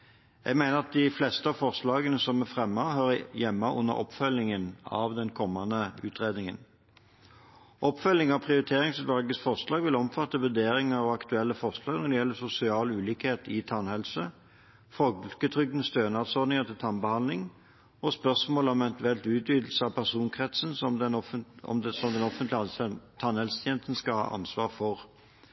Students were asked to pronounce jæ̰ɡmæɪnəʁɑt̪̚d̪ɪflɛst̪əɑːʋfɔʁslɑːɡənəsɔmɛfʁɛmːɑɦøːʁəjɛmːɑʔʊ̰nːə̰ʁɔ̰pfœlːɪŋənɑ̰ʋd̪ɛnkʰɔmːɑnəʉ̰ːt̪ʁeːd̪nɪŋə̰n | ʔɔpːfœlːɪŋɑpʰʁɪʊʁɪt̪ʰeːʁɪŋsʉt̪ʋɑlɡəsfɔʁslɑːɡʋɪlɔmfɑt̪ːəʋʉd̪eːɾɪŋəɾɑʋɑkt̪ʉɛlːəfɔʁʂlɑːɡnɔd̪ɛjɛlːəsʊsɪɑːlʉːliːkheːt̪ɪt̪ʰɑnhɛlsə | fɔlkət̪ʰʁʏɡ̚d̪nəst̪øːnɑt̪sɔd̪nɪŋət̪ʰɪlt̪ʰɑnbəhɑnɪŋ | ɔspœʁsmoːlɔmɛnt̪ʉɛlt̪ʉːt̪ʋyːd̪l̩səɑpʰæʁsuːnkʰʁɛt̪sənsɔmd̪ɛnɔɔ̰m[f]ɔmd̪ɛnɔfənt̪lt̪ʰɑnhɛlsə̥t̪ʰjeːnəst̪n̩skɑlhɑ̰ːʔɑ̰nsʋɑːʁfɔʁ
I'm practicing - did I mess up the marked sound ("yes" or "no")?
yes